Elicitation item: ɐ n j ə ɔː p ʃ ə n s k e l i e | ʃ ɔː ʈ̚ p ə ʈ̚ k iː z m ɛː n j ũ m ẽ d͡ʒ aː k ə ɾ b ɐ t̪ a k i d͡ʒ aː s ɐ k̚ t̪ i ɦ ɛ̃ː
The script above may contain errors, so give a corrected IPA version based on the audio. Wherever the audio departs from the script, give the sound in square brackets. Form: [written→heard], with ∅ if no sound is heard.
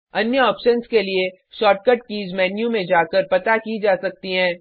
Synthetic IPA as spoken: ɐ n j ə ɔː p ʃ ə n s k e l i e | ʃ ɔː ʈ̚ [p→k] ə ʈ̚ k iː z m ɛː n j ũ m ẽ d͡ʒ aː k ə ɾ [b→p] ɐ t̪ a k i d͡ʒ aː s ɐ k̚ t̪ i ɦ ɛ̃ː